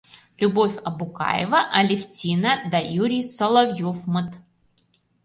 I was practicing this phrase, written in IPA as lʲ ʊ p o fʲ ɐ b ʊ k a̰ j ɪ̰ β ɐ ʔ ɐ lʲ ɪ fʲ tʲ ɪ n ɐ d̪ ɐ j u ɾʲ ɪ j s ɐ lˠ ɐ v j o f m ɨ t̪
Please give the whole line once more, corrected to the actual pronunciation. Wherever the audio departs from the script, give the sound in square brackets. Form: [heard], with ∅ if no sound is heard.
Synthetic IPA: lʲ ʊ [b] o fʲ ɐ b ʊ k a̰ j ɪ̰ [v] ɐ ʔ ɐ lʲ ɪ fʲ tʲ [i] n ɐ d̪ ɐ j u ɾʲ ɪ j s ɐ lˠ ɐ v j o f m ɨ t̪